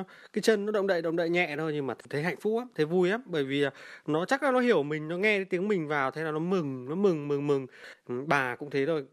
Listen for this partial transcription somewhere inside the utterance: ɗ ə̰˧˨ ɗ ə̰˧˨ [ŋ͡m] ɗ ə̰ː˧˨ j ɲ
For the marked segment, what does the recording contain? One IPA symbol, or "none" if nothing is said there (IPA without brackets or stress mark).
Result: ŋ͡m